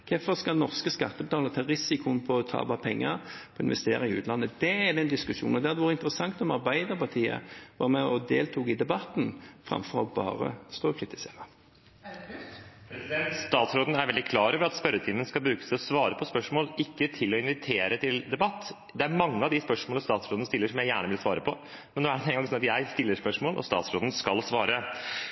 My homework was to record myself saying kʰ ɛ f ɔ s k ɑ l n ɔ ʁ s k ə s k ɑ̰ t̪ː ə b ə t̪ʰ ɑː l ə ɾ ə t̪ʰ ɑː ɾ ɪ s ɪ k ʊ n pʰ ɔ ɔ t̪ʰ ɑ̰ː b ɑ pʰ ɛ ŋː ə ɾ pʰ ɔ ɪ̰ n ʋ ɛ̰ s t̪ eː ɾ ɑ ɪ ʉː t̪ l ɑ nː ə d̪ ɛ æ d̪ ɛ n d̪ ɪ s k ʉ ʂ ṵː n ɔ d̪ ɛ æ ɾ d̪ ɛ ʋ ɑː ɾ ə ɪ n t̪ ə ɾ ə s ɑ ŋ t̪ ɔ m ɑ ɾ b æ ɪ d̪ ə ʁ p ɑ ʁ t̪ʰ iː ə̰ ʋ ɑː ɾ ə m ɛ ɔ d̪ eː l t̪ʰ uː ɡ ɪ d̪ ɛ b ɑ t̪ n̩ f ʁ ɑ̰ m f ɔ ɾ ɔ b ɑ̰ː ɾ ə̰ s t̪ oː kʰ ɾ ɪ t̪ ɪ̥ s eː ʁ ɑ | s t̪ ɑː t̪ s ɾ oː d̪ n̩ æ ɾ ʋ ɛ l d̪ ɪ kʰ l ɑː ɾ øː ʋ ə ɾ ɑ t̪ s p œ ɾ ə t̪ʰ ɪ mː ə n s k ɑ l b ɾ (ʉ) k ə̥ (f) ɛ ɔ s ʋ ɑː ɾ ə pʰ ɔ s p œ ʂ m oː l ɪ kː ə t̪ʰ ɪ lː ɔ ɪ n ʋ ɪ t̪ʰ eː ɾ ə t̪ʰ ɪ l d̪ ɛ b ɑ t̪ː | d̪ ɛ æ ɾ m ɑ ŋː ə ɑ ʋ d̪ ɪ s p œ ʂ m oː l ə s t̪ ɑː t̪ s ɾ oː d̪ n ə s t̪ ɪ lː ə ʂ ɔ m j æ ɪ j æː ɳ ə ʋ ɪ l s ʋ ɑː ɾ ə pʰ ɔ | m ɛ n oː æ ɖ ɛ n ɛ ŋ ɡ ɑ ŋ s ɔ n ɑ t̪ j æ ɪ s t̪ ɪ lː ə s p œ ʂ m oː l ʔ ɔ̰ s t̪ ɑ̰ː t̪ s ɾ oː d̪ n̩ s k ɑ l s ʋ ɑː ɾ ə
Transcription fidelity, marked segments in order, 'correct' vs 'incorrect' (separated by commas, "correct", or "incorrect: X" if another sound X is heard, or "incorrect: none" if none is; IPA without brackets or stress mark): incorrect: ʉː, incorrect: s